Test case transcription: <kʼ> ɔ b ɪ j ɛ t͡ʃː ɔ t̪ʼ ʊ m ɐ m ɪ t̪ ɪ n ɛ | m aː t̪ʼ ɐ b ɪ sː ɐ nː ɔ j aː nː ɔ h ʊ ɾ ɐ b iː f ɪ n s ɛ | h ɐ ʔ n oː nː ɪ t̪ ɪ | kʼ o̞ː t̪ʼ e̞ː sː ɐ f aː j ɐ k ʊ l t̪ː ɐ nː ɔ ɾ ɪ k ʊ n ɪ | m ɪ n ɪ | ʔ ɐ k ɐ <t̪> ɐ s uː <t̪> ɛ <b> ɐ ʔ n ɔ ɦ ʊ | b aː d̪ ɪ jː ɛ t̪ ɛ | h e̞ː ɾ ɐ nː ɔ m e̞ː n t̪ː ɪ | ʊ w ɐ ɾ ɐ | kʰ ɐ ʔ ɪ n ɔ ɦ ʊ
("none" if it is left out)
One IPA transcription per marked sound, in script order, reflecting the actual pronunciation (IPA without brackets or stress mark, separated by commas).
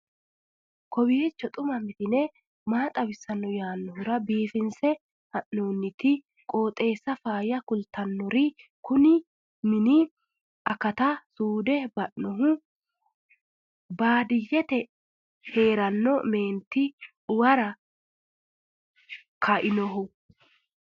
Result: k, t̪, d̪, b